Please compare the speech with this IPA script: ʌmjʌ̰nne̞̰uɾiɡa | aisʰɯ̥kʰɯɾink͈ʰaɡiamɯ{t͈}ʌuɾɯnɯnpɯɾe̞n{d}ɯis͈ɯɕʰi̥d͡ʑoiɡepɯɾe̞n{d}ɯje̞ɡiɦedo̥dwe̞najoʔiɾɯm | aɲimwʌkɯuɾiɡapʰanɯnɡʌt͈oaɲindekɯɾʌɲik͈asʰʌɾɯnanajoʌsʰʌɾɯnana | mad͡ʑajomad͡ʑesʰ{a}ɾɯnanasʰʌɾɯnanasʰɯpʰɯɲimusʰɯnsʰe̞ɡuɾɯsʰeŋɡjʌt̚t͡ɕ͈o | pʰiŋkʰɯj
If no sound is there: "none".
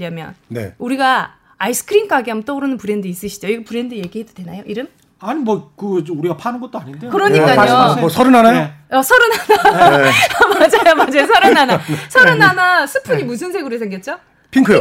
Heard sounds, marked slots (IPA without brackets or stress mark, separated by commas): t͈, d, d, ʌ